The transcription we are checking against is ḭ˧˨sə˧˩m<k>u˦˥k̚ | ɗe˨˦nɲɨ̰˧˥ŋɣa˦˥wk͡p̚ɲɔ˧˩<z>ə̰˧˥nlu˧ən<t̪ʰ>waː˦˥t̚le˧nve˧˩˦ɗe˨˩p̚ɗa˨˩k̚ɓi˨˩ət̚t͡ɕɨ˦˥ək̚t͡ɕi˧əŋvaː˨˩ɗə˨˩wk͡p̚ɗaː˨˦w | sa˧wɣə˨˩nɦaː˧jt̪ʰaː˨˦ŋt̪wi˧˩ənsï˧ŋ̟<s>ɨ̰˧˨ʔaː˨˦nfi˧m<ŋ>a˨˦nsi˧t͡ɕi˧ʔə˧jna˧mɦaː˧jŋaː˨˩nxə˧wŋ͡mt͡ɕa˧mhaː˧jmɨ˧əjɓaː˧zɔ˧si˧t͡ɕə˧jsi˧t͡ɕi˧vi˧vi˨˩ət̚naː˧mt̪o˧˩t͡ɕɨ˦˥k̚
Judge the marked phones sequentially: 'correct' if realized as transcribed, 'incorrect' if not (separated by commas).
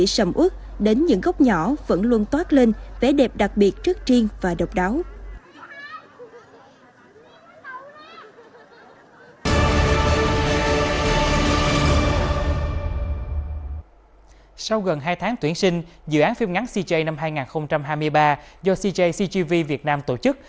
incorrect, incorrect, incorrect, incorrect, correct